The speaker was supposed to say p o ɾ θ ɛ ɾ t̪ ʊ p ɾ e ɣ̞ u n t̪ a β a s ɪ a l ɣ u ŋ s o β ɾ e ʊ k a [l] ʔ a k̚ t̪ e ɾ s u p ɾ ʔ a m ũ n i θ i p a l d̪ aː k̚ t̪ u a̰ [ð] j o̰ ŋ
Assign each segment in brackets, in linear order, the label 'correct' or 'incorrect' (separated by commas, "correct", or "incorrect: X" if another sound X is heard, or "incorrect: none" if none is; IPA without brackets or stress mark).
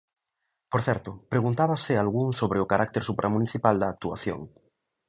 incorrect: ɾ, incorrect: θ